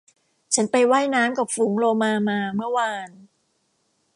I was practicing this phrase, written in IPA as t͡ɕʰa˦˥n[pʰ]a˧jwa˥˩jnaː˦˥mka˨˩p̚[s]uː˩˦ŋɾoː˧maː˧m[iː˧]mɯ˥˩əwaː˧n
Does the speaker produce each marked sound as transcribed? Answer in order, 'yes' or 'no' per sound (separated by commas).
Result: no, no, no